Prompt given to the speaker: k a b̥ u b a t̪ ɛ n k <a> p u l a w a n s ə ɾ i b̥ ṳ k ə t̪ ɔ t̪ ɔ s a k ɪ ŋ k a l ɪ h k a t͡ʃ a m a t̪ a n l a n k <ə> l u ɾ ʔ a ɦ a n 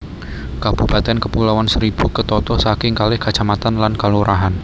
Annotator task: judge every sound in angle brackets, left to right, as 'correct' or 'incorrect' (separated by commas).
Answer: incorrect, incorrect